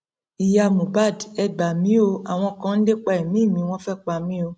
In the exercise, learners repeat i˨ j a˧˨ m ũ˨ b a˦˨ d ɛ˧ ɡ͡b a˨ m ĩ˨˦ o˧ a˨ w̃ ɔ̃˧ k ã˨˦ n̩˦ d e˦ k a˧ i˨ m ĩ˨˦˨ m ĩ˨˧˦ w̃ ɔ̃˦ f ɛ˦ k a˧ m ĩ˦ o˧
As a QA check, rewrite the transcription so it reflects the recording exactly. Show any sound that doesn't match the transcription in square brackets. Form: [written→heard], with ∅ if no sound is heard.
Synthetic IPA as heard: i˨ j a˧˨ m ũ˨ b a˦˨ d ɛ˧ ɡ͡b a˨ m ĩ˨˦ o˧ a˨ w̃ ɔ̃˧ k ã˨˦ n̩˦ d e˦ [k→k͡p] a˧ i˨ m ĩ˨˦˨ m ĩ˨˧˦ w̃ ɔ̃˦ f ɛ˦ [k→k͡p] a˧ m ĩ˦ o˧